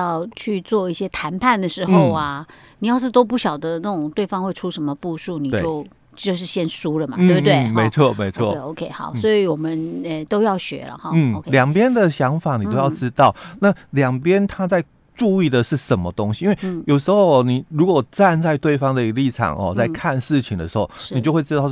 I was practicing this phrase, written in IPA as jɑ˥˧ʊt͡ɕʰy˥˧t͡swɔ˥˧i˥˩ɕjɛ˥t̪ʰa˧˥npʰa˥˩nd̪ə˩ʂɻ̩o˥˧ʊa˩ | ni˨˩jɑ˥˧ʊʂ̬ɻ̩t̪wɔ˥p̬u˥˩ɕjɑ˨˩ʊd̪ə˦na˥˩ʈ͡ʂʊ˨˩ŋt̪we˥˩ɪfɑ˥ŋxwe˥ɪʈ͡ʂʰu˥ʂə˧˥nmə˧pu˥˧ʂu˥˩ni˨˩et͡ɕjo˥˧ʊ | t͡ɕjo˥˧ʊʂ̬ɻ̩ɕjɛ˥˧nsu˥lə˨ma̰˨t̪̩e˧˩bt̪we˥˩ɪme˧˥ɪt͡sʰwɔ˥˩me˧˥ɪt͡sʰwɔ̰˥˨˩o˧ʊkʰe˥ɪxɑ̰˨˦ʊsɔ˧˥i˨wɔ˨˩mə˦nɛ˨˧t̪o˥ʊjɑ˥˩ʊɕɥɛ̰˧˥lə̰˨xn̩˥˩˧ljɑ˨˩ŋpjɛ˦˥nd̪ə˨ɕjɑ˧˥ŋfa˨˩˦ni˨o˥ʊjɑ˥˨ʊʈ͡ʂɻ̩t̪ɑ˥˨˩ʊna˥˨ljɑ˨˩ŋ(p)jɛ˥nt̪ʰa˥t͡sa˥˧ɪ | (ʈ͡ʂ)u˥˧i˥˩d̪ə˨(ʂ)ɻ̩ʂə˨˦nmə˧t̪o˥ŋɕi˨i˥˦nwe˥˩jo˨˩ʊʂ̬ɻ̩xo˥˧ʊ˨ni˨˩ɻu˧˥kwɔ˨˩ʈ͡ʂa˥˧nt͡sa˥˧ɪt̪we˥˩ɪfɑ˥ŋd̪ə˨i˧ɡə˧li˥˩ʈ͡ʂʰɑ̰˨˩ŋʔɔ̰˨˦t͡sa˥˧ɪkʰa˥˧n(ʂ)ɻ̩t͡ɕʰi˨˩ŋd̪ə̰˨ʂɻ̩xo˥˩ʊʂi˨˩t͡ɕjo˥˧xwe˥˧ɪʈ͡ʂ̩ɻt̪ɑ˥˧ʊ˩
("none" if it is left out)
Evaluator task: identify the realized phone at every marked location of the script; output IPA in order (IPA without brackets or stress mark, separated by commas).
p, ʈ͡ʂ, ʂ, ʂ